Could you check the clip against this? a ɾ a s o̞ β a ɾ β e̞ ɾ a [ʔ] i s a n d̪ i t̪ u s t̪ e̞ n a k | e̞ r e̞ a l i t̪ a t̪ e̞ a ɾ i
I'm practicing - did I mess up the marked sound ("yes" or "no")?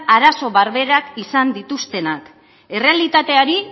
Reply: yes